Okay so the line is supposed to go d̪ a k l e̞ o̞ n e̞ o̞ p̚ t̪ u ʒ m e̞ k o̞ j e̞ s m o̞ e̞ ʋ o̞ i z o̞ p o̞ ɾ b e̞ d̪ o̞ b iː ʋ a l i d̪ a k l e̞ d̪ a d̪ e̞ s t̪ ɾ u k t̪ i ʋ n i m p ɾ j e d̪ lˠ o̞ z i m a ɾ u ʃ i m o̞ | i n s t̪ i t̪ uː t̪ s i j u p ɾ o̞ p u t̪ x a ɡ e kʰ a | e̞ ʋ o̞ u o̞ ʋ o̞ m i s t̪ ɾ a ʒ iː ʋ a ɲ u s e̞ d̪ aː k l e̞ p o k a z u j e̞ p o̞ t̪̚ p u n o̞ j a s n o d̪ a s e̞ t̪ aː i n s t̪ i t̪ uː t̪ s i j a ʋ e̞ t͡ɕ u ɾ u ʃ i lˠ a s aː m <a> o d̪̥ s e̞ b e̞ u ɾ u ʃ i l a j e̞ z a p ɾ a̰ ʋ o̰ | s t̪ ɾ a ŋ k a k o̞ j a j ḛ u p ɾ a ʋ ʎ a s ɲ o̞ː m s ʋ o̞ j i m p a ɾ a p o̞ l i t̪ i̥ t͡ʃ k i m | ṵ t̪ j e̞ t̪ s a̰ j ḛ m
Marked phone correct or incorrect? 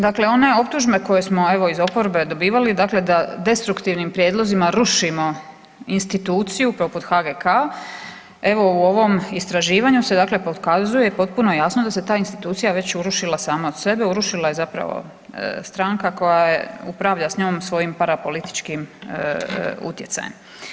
correct